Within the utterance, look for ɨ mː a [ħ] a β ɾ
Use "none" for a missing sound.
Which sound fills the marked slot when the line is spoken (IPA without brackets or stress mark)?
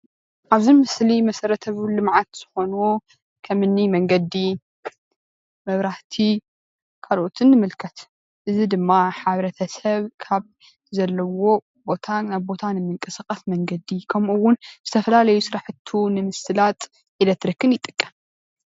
ħ